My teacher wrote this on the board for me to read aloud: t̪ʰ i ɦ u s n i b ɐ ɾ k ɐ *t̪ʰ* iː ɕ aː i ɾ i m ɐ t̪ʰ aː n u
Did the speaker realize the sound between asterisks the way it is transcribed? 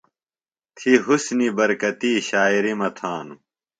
no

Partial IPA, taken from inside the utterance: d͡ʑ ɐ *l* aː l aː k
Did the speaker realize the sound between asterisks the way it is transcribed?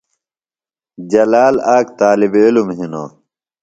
yes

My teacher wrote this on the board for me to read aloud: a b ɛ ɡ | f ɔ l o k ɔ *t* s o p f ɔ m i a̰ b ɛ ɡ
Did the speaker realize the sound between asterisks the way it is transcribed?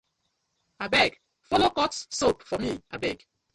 yes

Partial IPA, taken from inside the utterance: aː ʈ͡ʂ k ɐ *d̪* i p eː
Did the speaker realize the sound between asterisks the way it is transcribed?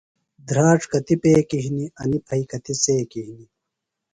no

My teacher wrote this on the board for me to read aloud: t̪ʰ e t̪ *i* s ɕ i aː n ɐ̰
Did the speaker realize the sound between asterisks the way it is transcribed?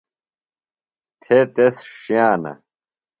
no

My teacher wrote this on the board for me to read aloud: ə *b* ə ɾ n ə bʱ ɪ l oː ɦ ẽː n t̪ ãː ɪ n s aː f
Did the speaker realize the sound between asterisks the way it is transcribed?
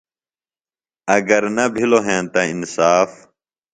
no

